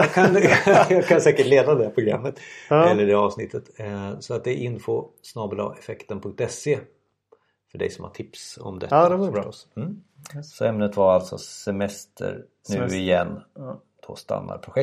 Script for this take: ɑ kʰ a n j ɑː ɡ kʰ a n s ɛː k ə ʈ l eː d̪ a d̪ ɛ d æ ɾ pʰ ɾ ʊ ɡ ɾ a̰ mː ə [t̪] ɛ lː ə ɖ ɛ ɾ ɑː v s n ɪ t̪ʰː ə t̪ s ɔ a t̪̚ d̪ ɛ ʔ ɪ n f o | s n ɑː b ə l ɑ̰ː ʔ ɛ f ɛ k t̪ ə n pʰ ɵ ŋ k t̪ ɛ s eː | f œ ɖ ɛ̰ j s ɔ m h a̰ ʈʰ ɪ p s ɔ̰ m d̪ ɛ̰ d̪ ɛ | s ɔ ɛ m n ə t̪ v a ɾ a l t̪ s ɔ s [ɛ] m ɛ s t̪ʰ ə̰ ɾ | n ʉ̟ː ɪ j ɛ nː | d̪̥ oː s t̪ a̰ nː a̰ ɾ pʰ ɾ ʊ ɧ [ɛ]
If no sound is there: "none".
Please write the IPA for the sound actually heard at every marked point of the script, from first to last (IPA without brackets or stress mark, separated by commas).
t̪, ɛ, ɛ